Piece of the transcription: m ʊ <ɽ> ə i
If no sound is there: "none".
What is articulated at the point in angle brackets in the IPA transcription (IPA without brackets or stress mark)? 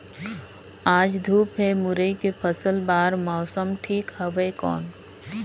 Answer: ɾ